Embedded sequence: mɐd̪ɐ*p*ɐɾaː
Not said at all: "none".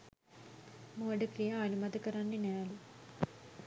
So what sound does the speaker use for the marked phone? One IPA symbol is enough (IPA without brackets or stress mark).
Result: k